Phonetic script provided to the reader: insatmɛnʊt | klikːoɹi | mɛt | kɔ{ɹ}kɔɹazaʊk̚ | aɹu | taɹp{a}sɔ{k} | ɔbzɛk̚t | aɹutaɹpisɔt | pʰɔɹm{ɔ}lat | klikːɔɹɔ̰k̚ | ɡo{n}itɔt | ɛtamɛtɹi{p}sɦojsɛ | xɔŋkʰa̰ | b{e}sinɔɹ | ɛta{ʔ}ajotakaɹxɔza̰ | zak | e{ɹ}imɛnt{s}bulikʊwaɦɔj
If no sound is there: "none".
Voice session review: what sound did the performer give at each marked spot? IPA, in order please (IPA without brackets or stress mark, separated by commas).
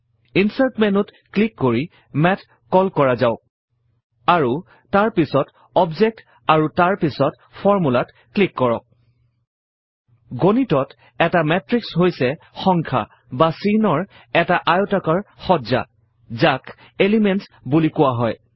l, i, t, u, n, k, a, ʔ, l, s